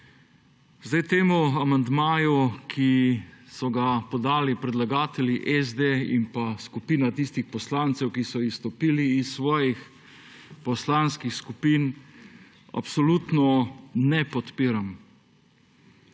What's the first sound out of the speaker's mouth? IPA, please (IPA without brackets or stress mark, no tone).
z